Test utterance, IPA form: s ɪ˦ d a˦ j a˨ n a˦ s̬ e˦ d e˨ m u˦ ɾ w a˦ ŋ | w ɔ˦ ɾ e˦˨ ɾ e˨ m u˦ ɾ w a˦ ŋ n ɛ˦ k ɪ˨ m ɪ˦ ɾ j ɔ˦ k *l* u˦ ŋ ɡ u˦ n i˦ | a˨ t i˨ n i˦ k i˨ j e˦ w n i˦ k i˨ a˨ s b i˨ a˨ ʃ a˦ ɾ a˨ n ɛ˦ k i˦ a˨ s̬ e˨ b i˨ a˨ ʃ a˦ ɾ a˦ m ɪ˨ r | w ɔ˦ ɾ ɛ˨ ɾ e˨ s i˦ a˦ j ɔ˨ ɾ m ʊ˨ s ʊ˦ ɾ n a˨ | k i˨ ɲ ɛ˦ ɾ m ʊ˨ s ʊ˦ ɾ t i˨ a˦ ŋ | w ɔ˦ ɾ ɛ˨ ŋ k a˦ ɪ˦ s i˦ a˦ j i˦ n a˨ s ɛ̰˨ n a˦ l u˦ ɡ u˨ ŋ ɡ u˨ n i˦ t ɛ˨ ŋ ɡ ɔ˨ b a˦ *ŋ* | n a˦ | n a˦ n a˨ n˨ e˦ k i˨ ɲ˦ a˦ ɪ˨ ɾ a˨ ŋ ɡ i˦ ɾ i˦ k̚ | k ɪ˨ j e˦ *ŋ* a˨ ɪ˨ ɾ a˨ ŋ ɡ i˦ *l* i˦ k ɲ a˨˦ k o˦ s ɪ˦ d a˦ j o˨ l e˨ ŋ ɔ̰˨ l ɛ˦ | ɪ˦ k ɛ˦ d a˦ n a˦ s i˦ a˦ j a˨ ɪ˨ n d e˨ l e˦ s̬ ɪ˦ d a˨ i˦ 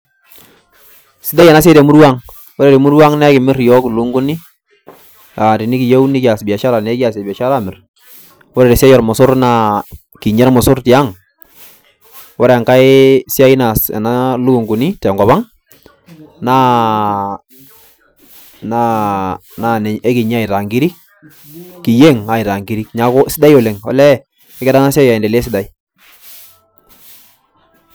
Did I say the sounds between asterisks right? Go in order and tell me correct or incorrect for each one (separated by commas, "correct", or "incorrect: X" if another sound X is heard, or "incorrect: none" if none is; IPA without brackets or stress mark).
correct, correct, correct, incorrect: ɾ